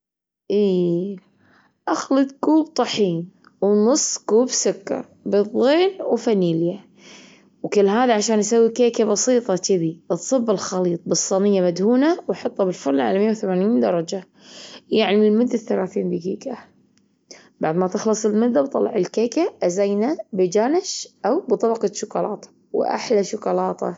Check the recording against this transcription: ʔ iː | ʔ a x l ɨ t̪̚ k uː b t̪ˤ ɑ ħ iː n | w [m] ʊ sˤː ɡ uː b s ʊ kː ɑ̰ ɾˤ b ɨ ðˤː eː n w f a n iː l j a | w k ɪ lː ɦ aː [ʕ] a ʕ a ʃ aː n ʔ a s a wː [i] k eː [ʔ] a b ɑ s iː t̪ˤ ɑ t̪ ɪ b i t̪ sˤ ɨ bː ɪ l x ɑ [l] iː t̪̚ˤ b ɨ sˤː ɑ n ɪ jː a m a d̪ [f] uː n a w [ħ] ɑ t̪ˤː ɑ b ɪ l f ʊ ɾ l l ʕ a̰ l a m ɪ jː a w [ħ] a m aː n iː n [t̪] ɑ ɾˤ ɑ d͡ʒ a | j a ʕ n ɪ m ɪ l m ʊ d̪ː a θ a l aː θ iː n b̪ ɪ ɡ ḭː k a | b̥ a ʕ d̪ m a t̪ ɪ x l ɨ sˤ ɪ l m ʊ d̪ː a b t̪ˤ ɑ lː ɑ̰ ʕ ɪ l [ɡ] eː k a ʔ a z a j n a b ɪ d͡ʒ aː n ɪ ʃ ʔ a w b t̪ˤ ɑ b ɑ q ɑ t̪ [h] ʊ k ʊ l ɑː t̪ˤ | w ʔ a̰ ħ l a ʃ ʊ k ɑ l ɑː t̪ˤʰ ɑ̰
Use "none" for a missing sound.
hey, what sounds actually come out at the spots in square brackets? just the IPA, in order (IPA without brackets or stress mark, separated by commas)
n, ð, i, k, l, h, ħ, θ, d̪, k, ʃ